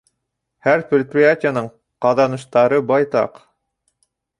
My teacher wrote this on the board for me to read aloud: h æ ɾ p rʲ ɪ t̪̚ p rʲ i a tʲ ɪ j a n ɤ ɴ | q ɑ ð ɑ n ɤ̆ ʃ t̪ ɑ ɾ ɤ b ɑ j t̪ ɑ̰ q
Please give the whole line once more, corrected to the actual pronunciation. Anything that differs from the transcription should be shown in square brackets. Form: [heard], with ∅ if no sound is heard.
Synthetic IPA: h æ ɾ p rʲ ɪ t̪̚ p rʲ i a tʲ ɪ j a n ɤ ɴ | q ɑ ð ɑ n ɤ̆ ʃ t̪ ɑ ɾ ɤ b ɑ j t̪ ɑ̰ q